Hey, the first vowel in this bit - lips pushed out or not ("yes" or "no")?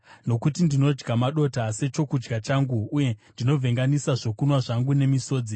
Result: yes